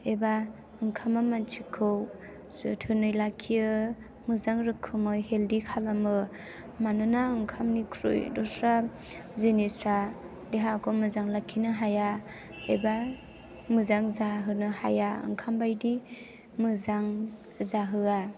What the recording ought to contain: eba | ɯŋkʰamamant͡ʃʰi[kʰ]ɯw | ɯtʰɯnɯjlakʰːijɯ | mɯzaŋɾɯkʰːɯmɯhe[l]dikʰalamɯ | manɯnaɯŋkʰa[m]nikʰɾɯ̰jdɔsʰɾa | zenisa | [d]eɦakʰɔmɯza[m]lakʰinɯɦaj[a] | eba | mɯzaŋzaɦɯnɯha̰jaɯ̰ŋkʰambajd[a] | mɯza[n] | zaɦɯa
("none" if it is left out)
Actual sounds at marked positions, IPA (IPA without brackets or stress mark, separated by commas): kʰ, l, m, d, ŋ, a, i, ŋ